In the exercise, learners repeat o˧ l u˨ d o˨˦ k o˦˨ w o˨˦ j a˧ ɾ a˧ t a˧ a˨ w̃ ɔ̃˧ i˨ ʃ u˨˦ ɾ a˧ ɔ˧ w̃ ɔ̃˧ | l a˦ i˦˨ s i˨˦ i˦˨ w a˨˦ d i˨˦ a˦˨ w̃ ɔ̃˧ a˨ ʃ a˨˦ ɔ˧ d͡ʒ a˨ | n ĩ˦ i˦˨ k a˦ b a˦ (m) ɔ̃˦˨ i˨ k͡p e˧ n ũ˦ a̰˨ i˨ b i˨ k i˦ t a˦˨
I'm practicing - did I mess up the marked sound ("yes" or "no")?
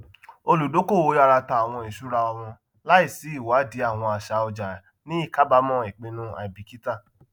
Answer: no